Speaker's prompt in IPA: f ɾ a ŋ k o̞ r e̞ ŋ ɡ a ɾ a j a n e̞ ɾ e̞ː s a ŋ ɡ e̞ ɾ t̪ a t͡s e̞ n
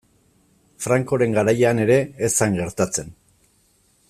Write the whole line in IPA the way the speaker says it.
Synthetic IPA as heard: f ɾ a ŋ k o̞ ɾ e̞ ŋ ɡ a ɾ a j a n e̞ ɾ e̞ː s a ŋ ɡ e̞ ɾ t̪ a t͡s e̞ n